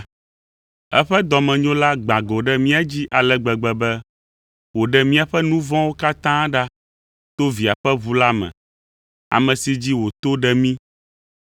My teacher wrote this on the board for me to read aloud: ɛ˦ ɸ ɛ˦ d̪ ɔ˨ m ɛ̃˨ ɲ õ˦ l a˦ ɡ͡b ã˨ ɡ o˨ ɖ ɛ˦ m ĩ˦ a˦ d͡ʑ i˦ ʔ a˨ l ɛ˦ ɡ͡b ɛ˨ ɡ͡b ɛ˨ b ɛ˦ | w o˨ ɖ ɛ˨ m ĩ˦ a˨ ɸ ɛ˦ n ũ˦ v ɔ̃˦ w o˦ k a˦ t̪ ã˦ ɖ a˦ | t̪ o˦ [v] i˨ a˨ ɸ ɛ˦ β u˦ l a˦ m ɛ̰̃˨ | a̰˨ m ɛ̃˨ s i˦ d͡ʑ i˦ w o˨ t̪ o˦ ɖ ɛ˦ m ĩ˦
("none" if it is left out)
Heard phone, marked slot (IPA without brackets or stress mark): v